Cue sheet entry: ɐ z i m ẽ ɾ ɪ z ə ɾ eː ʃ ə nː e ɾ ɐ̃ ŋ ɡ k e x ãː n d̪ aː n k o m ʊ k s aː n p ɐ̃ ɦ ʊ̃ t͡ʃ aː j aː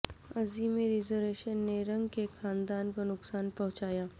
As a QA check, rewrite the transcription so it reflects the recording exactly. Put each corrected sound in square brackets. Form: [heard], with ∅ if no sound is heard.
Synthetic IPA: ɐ z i m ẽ ɾ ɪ z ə ɾ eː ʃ ə nː e ɾ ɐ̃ ŋ ɡ k e x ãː n d̪ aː n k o [n] ʊ k s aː n p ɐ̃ ɦ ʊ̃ t͡ʃ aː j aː